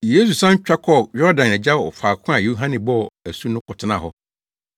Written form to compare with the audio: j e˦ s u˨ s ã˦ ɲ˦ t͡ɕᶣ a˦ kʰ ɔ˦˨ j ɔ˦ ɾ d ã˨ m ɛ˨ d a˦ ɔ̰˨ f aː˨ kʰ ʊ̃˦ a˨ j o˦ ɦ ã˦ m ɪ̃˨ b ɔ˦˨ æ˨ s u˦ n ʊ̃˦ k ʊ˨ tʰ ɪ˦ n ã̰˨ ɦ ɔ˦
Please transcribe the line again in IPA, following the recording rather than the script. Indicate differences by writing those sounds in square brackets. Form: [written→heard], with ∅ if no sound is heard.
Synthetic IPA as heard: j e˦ s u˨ s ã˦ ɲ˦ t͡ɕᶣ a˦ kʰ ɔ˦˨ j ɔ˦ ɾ d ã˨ [m→n] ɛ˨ [d→d͡ʑ] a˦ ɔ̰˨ f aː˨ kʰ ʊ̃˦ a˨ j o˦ ɦ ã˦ [m→n] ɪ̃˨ b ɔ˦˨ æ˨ s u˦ n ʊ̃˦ k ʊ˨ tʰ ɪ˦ n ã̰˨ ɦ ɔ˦